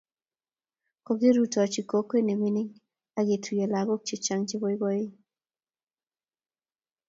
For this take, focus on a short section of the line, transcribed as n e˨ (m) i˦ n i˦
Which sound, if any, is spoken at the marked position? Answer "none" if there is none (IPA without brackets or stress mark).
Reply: m